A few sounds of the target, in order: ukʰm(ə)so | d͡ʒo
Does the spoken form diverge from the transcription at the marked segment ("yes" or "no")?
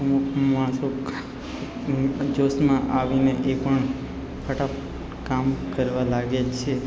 yes